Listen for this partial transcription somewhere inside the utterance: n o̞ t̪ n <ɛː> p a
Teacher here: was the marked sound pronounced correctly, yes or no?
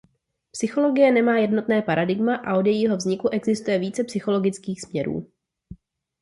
yes